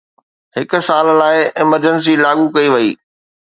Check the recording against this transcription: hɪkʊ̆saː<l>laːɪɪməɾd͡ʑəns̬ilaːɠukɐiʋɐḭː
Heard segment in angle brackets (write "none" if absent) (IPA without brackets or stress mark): l